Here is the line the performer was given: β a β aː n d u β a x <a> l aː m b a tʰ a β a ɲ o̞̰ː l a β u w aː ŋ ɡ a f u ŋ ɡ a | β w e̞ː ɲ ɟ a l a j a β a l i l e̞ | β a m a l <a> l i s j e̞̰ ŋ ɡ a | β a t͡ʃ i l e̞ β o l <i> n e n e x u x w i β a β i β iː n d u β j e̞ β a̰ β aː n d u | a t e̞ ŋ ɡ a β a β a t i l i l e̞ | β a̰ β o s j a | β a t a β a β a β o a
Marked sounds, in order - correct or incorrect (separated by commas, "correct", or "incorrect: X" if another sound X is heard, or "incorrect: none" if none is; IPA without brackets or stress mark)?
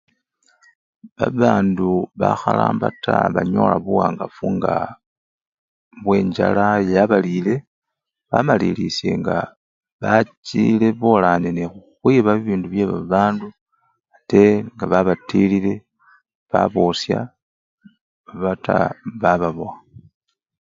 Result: correct, incorrect: i, incorrect: a